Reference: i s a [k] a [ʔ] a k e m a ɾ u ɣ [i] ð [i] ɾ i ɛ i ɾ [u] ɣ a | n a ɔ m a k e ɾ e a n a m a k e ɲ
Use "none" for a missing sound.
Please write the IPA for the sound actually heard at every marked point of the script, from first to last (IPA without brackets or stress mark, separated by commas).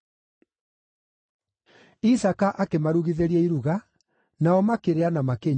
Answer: k, ʔ, i, e, u